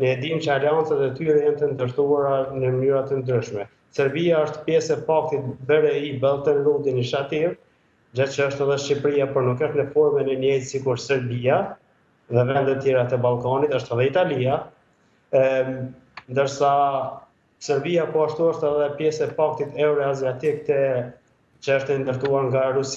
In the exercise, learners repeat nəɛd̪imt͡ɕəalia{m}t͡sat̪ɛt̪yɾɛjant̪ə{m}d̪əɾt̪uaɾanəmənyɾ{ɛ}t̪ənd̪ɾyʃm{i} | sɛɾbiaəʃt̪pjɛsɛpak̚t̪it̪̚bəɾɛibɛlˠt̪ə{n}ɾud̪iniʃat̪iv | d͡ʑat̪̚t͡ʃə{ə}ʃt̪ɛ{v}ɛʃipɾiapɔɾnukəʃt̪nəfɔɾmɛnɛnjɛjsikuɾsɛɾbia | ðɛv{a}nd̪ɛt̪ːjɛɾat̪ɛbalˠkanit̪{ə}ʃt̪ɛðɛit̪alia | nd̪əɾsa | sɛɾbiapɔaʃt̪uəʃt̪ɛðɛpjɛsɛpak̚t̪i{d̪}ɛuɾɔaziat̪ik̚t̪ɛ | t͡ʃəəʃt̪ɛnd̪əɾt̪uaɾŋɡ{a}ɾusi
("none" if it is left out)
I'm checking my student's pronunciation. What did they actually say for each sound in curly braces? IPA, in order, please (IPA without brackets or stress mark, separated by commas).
n, n, a, ɛ, n, ə, ð, ɛ, ə, t̪, a